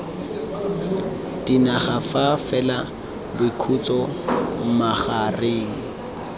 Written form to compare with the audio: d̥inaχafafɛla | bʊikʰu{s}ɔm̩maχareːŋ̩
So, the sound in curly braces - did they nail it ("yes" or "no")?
no